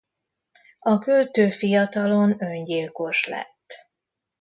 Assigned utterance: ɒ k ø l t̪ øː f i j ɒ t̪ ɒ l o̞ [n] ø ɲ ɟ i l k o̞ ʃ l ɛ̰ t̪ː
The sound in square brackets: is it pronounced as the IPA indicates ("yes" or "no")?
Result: yes